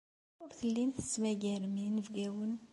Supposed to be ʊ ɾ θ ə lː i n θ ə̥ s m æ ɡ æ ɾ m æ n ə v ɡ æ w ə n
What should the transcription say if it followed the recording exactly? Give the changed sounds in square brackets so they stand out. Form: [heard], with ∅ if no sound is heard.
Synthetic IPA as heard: ʊ ɾ θ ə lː i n θ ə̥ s m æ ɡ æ ɾ m [i] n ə v ɡ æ w ə n